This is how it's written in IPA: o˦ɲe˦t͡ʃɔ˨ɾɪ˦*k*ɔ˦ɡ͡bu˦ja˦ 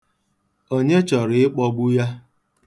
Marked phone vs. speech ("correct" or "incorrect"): incorrect